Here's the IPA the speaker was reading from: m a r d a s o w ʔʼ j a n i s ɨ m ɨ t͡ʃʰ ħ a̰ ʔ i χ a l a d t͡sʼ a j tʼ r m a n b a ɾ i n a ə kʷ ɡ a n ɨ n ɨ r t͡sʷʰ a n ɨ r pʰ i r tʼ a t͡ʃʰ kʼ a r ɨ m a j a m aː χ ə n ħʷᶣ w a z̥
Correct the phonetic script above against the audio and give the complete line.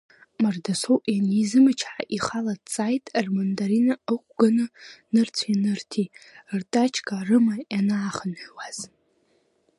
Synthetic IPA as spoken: m a r d a s o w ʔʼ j a n i z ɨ m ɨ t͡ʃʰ ħ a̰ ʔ i χ a l a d t͡sʼ a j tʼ r m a n d a ɾ i n a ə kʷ ɡ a n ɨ n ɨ r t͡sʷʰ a n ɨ r tʰ i r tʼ a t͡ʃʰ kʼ a r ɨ m a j a n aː χ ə n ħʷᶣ w a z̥